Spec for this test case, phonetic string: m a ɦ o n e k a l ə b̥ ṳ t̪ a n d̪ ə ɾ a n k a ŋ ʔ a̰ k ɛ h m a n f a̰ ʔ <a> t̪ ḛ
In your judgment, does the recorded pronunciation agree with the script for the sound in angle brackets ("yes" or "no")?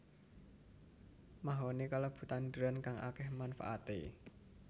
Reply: yes